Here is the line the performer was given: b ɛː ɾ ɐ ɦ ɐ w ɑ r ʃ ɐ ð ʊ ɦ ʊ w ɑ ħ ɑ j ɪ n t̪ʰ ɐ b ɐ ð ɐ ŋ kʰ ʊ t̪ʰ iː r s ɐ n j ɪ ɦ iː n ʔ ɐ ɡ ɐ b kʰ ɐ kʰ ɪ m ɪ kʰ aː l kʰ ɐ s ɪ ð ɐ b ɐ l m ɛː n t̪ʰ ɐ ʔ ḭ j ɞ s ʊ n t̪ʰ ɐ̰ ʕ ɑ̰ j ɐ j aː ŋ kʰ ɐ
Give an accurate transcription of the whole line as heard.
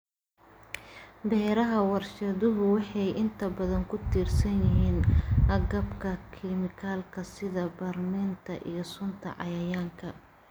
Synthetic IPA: b ɛː ɾ ɐ ɦ ɐ w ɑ r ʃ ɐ ð ʊ ɦ ʊ w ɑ ħ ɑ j ɪ n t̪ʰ ɐ b ɐ ð ɐ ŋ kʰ ʊ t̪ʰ iː r s ɐ n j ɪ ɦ iː n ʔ ɐ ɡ ɐ b kʰ ɐ kʰ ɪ m ɪ kʰ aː l kʰ ɐ s ɪ ð ɐ b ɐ r m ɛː n t̪ʰ ɐ ʔ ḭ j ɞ s ʊ n t̪ʰ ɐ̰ ʕ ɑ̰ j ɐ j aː ŋ kʰ ɐ